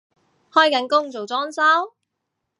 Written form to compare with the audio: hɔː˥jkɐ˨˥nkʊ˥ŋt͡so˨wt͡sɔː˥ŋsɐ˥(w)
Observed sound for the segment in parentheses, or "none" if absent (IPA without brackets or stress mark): w